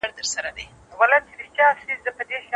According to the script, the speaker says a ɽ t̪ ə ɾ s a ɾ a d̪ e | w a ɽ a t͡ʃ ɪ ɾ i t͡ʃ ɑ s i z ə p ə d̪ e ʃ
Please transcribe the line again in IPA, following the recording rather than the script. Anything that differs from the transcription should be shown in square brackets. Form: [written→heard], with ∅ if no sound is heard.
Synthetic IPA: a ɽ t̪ ə ɾ s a ɾ a d̪ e | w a [ɽ→l] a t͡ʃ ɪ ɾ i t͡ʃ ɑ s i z ə p ə d̪ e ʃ